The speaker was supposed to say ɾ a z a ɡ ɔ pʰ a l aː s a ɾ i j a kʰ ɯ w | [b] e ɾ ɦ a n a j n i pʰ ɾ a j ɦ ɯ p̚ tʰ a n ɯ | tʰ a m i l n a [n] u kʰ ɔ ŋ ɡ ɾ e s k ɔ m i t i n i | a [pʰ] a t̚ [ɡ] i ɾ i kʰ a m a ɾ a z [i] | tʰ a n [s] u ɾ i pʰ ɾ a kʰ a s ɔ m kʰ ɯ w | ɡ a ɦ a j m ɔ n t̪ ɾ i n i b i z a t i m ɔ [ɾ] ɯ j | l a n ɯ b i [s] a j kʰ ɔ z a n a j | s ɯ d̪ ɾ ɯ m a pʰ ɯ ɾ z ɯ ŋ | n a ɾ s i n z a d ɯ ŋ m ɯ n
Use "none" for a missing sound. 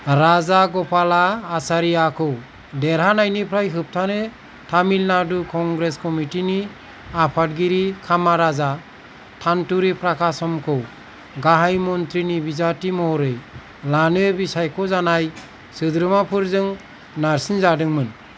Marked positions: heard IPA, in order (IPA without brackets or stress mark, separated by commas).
d, d, pʰ, ɡ, a, t, ɾ, s